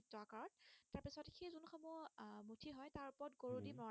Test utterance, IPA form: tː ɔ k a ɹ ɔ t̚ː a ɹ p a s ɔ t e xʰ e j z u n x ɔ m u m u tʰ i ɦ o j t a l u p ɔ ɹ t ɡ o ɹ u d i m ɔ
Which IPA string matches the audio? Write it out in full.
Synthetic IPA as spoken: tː ɔ k a ɹ ɔ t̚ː a ɹ p i s ɔ t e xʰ e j z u n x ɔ m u m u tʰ i ɦ ɔ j t a ɹ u p ɔ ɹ t ɡ o ɹ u d i m ɔ